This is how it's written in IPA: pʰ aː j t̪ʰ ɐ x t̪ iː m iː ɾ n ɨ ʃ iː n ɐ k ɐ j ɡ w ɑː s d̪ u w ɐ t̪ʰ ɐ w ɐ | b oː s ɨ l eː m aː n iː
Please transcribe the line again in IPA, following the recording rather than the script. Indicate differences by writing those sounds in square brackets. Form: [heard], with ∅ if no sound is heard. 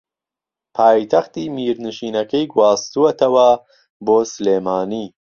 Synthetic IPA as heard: pʰ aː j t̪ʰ ɐ x t̪ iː m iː ɾ n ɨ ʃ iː n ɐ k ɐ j ɡ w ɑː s [t̪] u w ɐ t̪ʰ ɐ w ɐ | b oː s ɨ l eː m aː n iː